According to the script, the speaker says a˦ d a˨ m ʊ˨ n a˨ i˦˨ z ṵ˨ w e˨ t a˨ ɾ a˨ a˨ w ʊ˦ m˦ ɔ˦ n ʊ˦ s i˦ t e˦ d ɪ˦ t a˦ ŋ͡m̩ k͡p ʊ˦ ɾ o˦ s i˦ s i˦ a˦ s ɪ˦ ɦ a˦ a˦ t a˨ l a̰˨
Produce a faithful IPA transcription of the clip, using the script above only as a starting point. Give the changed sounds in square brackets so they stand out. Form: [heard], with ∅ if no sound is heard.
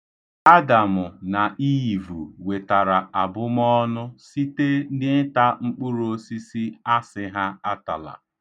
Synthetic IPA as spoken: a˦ d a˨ m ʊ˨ n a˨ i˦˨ [v] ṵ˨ w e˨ t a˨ ɾ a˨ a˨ [b] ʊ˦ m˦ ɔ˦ n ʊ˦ s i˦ t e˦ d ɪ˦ t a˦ ŋ͡m̩ k͡p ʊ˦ ɾ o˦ s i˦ s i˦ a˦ s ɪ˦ ɦ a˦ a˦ t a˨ l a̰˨